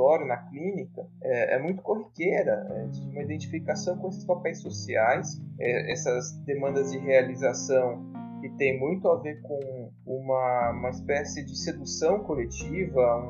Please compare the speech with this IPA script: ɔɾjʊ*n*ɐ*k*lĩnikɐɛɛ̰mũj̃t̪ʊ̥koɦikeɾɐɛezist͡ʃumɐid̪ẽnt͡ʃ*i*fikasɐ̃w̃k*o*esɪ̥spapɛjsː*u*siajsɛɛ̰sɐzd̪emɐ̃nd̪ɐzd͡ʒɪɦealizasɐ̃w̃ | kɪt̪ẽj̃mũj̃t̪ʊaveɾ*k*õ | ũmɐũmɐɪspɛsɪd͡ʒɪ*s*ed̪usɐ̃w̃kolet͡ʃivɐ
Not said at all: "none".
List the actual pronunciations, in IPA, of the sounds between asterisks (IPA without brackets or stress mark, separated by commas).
n, k, i, õ, o, k, s